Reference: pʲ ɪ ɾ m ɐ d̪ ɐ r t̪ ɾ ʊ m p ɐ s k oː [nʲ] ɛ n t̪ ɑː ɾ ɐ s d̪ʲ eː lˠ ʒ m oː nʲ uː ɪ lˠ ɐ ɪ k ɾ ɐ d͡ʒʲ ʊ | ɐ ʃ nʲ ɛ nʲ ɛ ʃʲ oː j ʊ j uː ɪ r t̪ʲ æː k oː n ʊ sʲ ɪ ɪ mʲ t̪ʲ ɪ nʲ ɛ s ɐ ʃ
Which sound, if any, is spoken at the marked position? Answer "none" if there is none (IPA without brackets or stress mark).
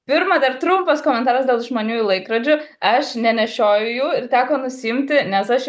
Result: mʲ